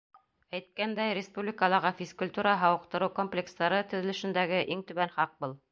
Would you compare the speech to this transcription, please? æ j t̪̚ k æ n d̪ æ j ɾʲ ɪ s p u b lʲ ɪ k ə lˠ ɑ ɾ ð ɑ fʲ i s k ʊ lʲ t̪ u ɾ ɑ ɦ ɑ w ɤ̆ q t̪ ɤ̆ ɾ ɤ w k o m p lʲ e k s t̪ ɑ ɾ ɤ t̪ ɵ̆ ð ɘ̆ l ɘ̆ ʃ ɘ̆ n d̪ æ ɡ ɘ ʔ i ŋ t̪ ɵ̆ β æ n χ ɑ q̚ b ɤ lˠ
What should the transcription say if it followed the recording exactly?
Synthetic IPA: æ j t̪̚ k æ n d̪ æ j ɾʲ ɪ s p u b lʲ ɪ k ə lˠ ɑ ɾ ʁ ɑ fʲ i s k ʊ lʲ t̪ u ɾ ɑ ɦ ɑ w ɤ̆ q t̪ ɤ̆ ɾ ɤ w k o m p lʲ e k s t̪ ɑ ɾ ɤ t̪ ɵ̆ ð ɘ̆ l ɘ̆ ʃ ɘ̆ n d̪ æ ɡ ɘ ʔ i ŋ t̪ ɵ̆ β æ n χ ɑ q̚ b ɤ lˠ